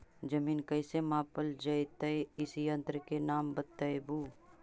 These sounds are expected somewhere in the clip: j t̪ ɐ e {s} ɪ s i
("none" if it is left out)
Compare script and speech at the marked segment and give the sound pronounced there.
none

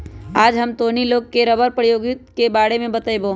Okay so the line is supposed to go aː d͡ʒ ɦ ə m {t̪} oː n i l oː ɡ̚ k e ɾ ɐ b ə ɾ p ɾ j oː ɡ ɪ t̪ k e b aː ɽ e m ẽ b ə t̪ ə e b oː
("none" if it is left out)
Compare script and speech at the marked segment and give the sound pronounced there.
t̪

